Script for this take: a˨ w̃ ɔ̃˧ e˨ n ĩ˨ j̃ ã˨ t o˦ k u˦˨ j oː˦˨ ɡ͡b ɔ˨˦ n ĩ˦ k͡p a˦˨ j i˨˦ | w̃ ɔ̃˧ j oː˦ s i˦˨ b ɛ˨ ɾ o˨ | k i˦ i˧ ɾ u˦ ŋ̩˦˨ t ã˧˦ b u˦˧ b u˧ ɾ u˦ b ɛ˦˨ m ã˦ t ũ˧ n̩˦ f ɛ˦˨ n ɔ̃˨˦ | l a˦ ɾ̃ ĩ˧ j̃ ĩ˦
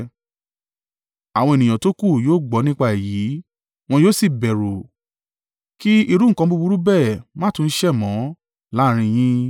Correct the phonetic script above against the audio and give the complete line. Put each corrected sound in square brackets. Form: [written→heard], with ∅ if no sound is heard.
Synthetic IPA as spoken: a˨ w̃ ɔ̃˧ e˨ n ĩ˨ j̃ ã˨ t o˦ k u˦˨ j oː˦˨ ɡ͡b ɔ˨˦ n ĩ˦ k͡p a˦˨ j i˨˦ | w̃ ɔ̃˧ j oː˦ s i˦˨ b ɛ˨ ɾ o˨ | k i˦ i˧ ɾ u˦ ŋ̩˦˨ [t→k] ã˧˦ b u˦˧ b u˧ ɾ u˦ b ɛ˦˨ m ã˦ t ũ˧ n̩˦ [f→ʃ] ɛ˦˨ [n→m] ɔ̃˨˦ | l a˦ ɾ̃ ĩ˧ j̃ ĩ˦